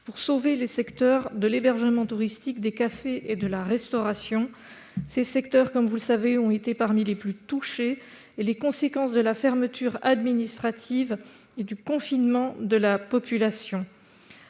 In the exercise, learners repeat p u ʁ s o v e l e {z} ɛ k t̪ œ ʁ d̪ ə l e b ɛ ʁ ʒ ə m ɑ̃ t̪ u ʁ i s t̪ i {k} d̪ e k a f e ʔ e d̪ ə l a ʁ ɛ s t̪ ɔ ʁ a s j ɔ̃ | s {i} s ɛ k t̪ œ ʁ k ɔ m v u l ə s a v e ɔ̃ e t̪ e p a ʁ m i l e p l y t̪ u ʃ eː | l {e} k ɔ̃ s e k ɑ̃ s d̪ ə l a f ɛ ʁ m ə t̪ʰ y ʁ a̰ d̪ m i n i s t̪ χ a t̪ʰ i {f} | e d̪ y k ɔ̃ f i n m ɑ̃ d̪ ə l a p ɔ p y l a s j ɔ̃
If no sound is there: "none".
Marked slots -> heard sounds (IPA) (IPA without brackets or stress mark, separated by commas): s, k, e, e, v